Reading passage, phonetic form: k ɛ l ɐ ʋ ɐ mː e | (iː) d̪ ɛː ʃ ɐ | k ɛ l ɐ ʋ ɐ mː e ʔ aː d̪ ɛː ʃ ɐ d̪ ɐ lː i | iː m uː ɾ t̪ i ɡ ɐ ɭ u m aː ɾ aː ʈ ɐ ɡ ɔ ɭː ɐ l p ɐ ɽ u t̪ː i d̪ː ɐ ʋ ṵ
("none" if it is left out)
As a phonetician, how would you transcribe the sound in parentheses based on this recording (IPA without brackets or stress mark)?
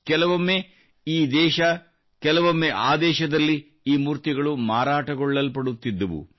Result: iː